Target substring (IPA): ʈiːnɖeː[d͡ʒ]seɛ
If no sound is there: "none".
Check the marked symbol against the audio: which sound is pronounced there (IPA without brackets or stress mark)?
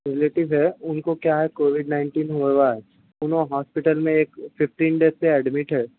none